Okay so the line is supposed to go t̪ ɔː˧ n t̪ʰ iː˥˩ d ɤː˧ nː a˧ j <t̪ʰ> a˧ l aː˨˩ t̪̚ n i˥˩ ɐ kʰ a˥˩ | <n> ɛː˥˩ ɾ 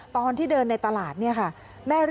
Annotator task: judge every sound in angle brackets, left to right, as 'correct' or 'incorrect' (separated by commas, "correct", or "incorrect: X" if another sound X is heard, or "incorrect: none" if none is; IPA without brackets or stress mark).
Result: incorrect: t̪, incorrect: m